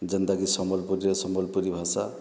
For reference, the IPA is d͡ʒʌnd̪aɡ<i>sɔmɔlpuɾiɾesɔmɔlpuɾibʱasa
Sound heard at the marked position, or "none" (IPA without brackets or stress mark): i